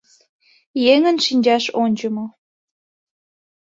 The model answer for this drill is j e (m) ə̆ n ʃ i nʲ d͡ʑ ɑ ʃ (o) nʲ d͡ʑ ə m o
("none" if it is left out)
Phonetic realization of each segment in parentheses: ŋ, o

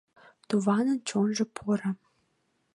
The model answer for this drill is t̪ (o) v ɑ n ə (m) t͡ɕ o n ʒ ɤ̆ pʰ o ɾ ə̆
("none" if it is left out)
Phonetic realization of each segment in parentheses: u, n

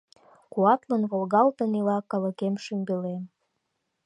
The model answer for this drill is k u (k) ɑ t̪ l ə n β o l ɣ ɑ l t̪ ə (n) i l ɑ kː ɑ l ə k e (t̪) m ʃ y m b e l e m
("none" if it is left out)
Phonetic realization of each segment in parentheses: none, n, none

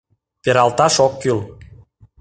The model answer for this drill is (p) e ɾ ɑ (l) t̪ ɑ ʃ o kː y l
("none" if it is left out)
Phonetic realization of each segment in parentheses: p, l

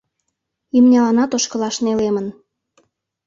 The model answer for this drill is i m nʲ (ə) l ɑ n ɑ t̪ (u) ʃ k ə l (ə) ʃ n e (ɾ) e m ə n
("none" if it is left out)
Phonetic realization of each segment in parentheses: ɑ, o, ɑ, l

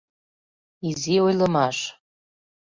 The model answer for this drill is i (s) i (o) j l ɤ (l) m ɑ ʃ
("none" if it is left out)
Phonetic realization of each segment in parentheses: z, o, none

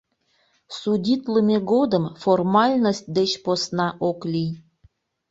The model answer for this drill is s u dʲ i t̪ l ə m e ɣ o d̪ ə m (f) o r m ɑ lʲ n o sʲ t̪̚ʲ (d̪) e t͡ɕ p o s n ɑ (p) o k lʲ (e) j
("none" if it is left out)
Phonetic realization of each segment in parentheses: f, d̪, ʔ, i

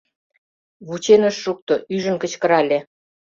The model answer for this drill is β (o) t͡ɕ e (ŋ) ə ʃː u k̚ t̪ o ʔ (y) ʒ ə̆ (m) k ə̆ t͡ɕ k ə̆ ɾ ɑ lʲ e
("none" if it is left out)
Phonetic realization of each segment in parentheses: u, n, y, n

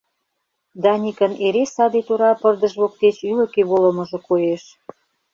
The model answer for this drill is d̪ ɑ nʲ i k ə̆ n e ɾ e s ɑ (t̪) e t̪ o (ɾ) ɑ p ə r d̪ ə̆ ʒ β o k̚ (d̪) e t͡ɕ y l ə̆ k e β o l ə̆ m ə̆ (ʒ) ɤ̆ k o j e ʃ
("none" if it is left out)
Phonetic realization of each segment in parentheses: d̪, ɾ, t̪, ʒ

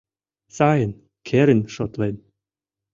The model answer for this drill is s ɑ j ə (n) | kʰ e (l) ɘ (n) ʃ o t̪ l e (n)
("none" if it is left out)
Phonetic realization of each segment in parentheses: n, ɾ, n, n

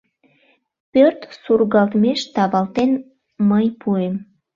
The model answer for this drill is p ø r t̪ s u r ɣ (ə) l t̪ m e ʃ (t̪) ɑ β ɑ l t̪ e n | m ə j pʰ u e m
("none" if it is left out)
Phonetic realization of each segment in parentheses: ɑ, t̪

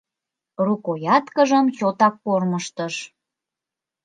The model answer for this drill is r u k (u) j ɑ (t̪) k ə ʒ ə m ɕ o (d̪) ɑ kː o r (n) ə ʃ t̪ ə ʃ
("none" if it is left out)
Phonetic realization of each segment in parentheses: o, t̪, t̪, m

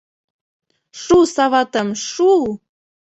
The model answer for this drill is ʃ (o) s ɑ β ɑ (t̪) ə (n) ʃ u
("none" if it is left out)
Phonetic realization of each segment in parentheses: u, t̪, m

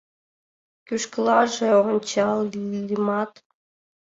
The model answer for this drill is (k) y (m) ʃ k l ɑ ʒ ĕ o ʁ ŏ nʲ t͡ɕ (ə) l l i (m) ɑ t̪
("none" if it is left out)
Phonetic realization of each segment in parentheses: k, none, ɑ, m

